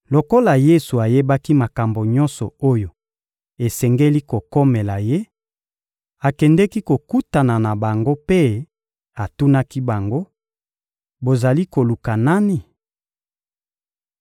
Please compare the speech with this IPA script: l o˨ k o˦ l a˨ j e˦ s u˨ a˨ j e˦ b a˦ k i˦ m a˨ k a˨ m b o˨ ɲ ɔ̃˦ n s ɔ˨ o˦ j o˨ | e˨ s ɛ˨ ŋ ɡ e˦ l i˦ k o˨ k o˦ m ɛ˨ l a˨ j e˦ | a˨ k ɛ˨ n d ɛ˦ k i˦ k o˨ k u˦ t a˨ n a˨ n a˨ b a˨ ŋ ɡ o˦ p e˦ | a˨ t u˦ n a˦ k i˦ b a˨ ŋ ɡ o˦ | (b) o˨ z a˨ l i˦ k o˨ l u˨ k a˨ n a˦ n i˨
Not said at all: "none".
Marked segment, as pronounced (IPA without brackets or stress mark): b